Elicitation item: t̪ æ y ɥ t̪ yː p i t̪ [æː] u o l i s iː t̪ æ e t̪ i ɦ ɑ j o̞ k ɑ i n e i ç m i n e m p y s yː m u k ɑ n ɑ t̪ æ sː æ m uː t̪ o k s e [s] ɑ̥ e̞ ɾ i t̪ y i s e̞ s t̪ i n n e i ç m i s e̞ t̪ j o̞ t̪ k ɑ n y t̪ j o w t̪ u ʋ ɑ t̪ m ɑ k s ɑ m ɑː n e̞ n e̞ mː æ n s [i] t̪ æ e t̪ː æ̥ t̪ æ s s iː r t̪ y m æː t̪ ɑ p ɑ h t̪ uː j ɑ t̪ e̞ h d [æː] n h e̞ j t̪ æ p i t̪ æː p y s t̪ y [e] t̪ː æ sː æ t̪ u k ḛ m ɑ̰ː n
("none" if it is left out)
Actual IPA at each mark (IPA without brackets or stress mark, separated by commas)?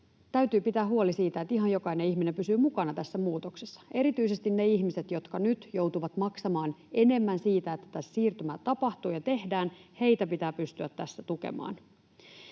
æː, sː, iː, æː, æ